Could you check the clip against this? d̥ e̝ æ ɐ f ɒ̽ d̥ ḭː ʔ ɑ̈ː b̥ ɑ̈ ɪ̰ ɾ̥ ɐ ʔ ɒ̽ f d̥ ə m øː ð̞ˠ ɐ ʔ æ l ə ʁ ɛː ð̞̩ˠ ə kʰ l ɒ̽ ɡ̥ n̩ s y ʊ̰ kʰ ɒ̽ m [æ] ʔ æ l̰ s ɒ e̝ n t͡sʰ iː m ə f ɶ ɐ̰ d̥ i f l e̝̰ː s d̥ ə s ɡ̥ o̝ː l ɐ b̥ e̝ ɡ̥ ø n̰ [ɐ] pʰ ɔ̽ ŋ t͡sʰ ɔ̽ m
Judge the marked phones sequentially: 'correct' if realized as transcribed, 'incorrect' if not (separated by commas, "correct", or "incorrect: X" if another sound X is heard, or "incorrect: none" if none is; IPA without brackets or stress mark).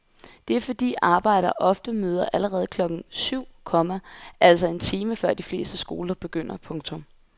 correct, correct